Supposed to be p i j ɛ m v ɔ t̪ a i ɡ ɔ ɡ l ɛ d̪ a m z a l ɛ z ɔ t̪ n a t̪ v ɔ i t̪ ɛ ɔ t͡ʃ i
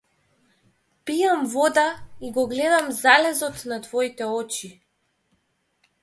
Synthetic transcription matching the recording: p i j a m v ɔ d̪ a i ɡ ɔ ɡ l ɛ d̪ a m z a l ɛ z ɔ t̪ n a t̪ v ɔ i t̪ ɛ ɔ t͡ʃ i